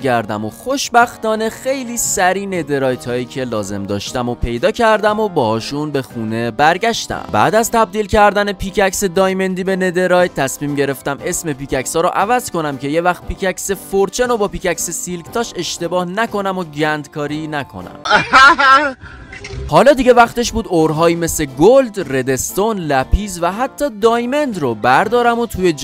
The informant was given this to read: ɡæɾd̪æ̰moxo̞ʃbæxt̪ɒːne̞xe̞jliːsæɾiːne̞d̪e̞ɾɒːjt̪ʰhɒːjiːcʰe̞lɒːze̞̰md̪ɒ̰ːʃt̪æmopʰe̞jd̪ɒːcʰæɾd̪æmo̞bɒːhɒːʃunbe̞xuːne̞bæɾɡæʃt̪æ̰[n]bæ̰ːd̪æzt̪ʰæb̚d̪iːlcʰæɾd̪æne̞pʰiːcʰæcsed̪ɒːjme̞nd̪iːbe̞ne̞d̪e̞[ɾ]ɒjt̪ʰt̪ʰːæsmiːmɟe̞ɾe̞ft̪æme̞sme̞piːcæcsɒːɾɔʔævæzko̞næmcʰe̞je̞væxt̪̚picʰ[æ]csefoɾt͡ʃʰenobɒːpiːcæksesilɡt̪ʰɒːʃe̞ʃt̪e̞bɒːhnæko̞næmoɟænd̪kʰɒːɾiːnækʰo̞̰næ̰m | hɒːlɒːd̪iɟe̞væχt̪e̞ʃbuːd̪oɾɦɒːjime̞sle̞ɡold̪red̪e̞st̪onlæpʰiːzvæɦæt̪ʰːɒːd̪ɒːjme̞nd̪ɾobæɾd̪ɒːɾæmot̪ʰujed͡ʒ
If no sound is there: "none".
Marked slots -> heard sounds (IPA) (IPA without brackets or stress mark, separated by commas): m, ɾ, æ